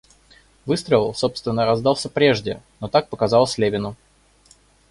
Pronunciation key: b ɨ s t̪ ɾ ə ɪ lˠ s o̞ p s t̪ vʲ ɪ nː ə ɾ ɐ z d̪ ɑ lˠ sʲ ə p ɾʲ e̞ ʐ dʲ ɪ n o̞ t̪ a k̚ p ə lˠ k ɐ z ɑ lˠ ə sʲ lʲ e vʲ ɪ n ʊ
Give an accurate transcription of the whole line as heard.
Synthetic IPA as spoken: v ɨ s t̪ ɾ ə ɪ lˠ s o̞ p s t̪ vʲ ɪ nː ə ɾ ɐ z d̪ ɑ lˠ sʲ ə p ɾʲ e̞ ʐ dʲ ɪ n o̞ t̪ a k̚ p ə k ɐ z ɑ lˠ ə sʲ lʲ e vʲ ɪ n ʊ